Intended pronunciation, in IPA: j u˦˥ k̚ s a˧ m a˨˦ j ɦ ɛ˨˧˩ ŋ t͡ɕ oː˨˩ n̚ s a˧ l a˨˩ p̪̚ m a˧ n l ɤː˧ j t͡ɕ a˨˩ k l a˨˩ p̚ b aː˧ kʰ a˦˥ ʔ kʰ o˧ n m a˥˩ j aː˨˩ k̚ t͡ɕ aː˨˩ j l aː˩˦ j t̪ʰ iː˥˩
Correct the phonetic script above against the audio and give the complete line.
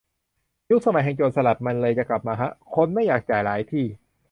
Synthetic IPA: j u˦˥ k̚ s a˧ m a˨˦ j ɦ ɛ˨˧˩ ŋ t͡ɕ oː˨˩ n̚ s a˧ l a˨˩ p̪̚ m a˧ n l ɤː˧ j t͡ɕ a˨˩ k l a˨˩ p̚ m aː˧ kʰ a˦˥ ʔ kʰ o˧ n m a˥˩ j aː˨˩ k̚ t͡ɕ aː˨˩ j l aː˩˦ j t̪ʰ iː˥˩